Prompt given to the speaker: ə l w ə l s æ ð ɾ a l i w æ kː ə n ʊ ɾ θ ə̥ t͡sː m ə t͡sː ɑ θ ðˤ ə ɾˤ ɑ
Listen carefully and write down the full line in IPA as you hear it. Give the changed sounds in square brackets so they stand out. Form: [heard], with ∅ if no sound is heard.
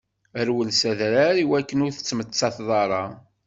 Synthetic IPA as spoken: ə [ɾ] w ə l s æ ð ɾ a [ɾ] i w æ kː ə n ʊ ɾ θ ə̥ t͡sː m ə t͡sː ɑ θ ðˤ [ɑ] ɾˤ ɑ